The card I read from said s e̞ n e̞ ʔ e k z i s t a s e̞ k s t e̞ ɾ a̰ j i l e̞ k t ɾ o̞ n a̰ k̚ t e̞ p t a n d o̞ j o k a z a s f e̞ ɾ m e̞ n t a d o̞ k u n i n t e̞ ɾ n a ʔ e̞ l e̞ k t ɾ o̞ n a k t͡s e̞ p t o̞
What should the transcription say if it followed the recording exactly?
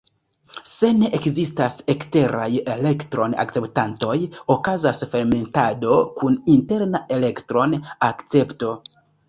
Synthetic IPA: s e̞ n e̞ ʔ e k z i s t a s e̞ k s t e̞ ɾ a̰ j e l e̞ k t ɾ o̞ n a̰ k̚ t͡s e̞ p t a n t o̞ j o k a z a s f e̞ ɾ m e̞ n t a d o̞ k u n i n t e̞ ɾ n a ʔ e̞ l e̞ k t ɾ o̞ n a k t͡s e̞ p t o̞

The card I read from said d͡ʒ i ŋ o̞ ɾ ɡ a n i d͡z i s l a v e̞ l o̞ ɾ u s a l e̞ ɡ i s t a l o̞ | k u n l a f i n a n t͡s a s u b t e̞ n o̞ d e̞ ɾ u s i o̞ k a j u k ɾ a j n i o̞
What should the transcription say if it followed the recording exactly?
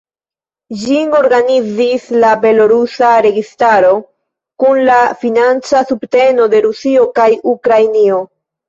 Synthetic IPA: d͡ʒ i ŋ o̞ ɾ ɡ a n i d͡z i s l a b e̞ l o̞ ɾ u s a ɾ e̞ ɡ i s t a ɾ o̞ | k u n l a f i n a n t͡s a s u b t e̞ n o̞ d e̞ ɾ u s i o̞ k a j u k ɾ a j n i o̞

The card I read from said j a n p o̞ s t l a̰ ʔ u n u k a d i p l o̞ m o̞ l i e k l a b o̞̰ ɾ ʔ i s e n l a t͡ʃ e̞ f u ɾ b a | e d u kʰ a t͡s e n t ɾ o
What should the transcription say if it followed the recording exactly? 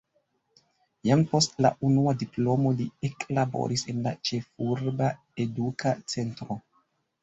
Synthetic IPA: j a m p o̞ s t l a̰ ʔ u n u a d i p l o̞ m o̞ l i e k l a b o̞̰ ɾ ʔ i s e n l a t͡ʃ e̞ f u ɾ b a | e d u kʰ a t͡s e n t ɾ o

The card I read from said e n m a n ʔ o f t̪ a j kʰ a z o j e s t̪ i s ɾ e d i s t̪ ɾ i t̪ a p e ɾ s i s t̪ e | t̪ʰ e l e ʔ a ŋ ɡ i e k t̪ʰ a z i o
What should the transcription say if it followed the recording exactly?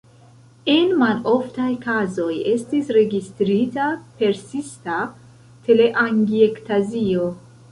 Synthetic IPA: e n m a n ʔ o f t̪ a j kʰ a z o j e s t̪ i s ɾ e ɡ i s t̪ ɾ i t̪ a p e ɾ s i s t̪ a | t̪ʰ e l e ʔ a ŋ ɡ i e k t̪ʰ a z i o

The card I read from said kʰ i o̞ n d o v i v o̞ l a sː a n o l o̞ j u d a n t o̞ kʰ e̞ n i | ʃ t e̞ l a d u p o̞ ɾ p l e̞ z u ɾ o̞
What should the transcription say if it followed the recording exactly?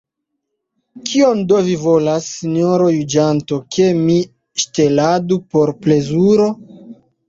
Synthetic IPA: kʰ i o̞ n d o v i v o̞ l a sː i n o ɾ o̞ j u d͡ʒ a n t o̞ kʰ e̞ m i | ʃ t e̞ l a d u p o̞ ɾ p l e̞ z u ɾ o̞

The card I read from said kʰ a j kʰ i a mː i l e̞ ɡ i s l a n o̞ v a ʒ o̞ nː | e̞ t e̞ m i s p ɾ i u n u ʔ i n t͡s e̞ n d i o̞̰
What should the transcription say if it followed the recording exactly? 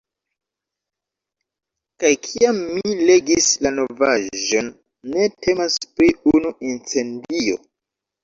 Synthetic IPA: k a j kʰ i a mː i l e̞ ɡ i s l a n o̞ v a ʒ o̞ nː | e̞ t e̞ m a s p ɾ i u n u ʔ i n t͡s e̞ n d i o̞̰

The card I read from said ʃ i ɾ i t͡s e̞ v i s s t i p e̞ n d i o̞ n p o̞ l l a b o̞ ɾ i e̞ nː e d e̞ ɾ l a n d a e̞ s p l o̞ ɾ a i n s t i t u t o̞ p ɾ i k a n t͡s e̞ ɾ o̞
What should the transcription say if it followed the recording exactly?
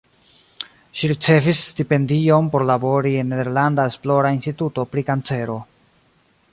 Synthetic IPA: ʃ i ɾ i t͡s e̞ v i s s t i p e̞ n d i o̞ n p o̞ ɾ l a b o̞ ɾ i e̞ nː e d e̞ ɾ l a n d a e̞ s p l o̞ ɾ a i n s t i t u t o̞ p ɾ i k a n t͡s e̞ ɾ o̞

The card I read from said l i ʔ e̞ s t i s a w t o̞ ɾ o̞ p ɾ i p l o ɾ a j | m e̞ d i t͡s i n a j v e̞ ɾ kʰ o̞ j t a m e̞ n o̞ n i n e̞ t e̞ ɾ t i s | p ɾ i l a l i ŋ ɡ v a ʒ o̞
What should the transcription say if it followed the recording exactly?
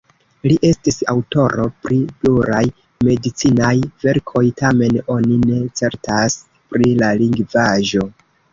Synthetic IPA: l i ʔ e̞ s t i s a w t o̞ ɾ o̞ p ɾ i p l u ɾ a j | m e̞ d i t͡s i n a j v e̞ ɾ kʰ o̞ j t a m e̞ n o̞ n i n e̞ t͡s e̞ ɾ t a s | p ɾ i l a l i ŋ ɡ v a ʒ o̞

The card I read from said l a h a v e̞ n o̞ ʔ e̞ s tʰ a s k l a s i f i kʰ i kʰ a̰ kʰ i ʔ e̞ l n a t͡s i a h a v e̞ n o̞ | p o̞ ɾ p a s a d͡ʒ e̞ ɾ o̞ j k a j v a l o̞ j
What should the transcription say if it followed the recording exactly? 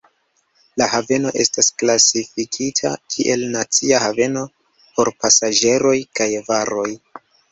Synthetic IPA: l a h a v e̞ n o̞ ʔ e̞ s t a s k l a s i f i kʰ i tʰ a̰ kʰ i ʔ e̞ l n a t͡s i a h a v e̞ n o̞ | p o̞ ɾ p a s a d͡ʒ e̞ ɾ o̞ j k a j v a ɾ o̞ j

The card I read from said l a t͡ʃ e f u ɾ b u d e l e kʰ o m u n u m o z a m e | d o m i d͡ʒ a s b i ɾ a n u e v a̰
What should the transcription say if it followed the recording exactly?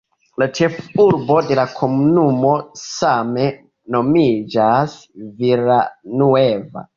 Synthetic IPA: l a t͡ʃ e f u ɾ b o d e l a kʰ o m u n u m o s a m e | n o m i d͡ʒ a s v i ɾ a n u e v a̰

